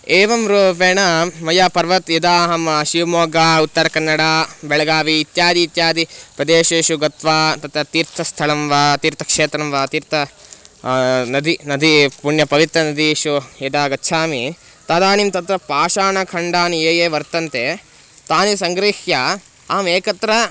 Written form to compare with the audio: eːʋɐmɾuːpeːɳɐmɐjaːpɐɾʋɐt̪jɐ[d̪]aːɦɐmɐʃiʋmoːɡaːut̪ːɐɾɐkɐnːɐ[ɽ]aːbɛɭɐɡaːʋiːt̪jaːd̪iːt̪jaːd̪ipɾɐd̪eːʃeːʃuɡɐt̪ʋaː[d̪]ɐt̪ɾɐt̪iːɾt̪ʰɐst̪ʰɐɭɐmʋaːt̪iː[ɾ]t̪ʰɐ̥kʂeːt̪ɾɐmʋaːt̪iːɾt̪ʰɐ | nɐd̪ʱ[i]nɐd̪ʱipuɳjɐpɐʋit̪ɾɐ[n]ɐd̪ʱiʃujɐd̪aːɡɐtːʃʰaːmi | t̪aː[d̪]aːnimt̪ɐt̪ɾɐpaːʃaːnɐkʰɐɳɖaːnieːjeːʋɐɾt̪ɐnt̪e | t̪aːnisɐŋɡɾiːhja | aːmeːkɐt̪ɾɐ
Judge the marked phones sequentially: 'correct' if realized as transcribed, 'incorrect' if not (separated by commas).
correct, correct, incorrect, correct, correct, correct, correct